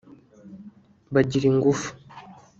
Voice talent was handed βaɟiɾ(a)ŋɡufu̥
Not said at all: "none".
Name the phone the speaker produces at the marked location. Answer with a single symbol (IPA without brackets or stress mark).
i